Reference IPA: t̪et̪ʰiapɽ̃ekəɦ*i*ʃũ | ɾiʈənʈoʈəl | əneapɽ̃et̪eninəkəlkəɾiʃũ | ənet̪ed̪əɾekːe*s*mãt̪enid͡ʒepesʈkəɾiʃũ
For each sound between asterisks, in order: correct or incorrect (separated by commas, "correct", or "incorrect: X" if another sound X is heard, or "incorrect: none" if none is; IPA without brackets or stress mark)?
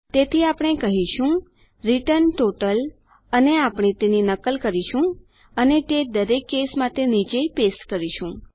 correct, correct